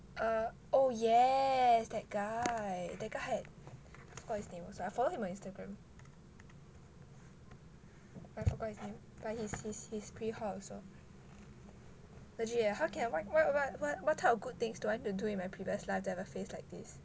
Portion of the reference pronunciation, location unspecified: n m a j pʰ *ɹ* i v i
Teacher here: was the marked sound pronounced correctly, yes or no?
yes